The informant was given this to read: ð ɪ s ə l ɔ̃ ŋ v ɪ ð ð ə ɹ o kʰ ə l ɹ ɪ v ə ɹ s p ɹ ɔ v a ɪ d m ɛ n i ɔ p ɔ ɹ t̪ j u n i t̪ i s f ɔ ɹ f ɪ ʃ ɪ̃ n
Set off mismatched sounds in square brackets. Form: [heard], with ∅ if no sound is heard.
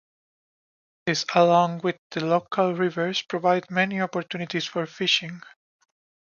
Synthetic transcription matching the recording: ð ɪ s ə l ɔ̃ ŋ [w] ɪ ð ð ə [l] o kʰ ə l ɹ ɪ v ə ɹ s p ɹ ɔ v a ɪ d m ɛ n i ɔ p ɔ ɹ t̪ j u n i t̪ i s f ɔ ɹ f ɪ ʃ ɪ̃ [ŋ]